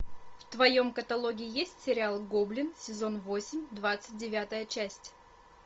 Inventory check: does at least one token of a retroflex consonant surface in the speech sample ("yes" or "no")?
no